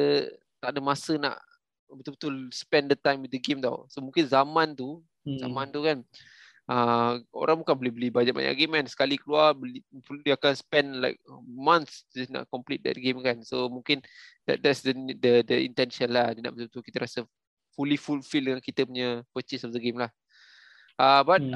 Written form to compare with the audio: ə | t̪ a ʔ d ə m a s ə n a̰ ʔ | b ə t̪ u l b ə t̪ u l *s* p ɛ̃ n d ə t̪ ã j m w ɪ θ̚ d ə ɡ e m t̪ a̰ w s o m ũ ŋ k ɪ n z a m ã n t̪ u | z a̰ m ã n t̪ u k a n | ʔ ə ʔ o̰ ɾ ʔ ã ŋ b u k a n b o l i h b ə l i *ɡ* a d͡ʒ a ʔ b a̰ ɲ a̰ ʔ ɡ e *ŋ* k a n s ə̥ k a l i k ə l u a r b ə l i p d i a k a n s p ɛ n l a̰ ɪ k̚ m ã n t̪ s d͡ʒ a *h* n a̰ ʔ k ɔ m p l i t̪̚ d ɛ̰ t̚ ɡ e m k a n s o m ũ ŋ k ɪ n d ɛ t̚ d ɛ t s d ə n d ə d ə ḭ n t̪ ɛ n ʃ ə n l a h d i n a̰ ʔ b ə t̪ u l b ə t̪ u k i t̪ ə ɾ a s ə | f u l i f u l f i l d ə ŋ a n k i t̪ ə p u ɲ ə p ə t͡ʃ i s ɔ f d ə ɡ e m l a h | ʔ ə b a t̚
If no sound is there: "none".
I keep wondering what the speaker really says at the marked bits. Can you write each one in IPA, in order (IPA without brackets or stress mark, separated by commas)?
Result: s, b, m, s